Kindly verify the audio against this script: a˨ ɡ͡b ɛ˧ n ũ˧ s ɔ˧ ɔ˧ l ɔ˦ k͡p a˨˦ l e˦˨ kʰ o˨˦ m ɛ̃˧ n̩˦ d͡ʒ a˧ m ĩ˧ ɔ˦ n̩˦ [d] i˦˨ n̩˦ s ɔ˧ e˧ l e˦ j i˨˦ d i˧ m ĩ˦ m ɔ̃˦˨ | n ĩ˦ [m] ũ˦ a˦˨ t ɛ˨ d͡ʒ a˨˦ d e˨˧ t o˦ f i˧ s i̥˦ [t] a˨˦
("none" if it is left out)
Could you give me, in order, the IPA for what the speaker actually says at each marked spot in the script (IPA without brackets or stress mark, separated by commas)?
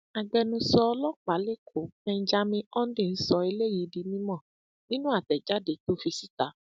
d, n, t